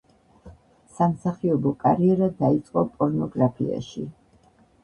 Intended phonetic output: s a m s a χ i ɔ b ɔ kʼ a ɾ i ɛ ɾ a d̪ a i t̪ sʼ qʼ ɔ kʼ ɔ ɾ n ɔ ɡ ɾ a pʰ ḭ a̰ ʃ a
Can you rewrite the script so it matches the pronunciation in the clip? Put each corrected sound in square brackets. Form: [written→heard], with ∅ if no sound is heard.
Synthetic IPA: s a m s a χ i ɔ b ɔ kʼ a ɾ i ɛ ɾ a d̪ a i t̪ sʼ qʼ ɔ [kʼ→pʼ] ɔ ɾ n ɔ ɡ ɾ a pʰ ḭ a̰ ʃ [a→i]